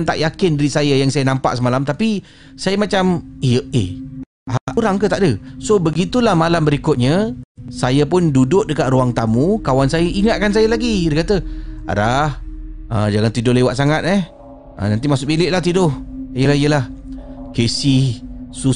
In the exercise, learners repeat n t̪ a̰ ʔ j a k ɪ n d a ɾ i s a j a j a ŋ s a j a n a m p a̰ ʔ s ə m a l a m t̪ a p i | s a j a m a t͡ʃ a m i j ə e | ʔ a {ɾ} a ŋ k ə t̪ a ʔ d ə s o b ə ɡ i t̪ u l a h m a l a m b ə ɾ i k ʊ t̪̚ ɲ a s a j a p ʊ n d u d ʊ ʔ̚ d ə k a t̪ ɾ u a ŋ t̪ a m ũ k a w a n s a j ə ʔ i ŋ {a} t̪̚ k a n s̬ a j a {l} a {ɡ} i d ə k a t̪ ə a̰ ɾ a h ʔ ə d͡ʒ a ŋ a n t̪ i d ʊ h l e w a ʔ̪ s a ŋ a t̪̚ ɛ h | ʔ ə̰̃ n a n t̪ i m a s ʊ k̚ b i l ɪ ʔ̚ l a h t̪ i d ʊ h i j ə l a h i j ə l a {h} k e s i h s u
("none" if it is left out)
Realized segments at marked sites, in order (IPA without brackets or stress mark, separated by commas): ɾ, a, l, ɡ, h